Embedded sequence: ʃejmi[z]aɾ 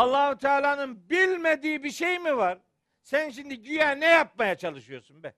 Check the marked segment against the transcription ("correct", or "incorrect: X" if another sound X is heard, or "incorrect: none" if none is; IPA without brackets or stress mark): incorrect: v